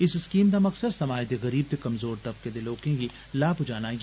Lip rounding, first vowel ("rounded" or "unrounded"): unrounded